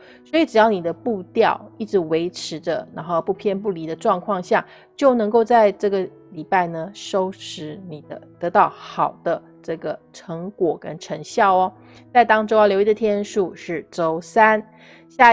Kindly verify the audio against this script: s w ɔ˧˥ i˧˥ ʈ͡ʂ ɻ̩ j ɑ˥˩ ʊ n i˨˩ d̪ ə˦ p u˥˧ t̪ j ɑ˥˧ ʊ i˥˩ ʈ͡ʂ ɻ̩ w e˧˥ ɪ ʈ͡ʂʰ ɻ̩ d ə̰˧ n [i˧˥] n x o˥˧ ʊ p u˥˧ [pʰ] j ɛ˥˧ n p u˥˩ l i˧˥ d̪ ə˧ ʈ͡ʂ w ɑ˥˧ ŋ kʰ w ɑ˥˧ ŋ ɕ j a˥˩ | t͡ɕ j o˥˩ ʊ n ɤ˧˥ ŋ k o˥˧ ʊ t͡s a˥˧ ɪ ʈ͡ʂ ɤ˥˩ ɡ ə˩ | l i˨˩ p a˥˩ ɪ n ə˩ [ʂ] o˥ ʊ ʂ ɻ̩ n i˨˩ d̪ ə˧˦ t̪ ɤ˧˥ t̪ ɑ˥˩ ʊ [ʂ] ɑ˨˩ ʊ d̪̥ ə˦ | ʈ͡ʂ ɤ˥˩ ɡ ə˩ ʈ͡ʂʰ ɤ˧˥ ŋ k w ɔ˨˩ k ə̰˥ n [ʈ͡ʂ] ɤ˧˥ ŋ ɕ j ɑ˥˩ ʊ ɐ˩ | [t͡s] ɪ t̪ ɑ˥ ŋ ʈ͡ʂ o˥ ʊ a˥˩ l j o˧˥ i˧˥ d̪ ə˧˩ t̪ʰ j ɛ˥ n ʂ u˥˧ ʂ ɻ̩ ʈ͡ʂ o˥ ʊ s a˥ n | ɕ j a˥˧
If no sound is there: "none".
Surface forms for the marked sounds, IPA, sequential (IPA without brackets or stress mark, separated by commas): a˧˥, pʰ, ʂ, x, ʈ͡ʂʰ, t͡s